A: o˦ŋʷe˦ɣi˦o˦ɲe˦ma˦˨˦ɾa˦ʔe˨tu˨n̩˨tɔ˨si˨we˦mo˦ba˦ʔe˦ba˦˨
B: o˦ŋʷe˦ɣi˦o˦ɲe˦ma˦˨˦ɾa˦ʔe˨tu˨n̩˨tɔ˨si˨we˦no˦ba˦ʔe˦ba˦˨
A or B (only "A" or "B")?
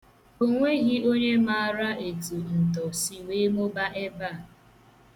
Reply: A